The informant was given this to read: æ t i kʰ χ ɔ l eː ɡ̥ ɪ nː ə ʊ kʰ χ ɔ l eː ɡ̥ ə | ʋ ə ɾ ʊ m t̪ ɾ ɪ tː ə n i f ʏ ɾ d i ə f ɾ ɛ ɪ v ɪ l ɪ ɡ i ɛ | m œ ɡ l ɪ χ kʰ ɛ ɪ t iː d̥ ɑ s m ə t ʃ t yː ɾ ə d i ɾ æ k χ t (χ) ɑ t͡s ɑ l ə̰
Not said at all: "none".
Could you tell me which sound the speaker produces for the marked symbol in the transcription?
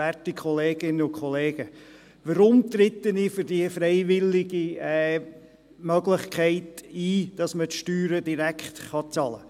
χ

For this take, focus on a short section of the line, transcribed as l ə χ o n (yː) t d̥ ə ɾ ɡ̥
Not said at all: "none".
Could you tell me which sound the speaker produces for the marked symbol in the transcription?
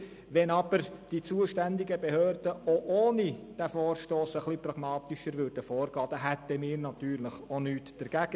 yː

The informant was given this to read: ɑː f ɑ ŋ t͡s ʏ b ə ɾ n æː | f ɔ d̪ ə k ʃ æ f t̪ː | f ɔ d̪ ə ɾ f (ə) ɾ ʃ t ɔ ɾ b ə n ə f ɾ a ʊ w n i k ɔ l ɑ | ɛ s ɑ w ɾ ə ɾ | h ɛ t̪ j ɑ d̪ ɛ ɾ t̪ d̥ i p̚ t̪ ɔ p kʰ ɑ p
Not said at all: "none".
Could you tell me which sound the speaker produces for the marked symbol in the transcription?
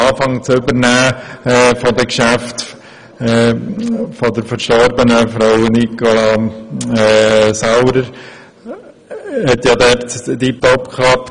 ə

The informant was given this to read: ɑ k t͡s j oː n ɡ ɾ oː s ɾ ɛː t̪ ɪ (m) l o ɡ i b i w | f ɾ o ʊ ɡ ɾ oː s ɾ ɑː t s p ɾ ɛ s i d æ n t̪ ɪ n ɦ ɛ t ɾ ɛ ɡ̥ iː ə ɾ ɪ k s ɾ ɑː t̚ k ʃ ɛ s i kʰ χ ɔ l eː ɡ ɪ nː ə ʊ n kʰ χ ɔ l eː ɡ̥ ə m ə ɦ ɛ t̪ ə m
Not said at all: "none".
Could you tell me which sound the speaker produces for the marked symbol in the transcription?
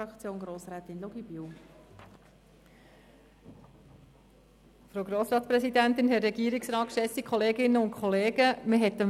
n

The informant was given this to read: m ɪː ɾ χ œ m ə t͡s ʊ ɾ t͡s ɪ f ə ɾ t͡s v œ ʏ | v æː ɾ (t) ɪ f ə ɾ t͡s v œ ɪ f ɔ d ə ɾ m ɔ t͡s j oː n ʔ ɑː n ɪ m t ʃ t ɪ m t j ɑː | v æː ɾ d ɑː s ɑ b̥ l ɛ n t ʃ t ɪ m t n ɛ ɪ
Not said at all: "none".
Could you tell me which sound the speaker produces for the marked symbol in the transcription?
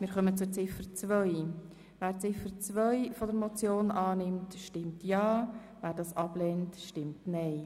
t͡s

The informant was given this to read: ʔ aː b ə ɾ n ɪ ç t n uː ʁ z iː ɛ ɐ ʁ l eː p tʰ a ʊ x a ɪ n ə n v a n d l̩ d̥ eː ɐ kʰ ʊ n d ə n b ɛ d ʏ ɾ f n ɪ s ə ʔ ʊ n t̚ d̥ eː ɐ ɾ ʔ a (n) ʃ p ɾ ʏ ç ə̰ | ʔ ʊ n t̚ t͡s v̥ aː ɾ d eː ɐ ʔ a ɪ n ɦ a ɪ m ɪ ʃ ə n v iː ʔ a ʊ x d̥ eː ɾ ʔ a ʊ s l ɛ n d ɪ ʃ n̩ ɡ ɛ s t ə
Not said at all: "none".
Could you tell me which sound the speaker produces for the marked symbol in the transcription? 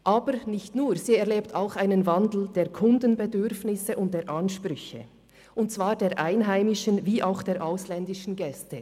n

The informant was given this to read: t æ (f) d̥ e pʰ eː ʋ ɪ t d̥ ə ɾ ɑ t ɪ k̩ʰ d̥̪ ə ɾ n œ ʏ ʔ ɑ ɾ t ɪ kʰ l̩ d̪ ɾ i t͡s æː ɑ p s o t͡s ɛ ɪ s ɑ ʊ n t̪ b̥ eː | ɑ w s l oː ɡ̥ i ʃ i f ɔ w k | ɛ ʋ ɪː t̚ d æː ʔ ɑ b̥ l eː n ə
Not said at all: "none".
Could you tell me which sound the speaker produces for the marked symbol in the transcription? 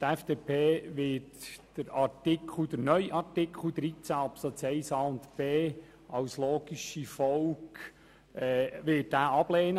f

